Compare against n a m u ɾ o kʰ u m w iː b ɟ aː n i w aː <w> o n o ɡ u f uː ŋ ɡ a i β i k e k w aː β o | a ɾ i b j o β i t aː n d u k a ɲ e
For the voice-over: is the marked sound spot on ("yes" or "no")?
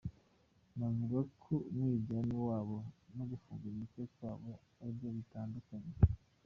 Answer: no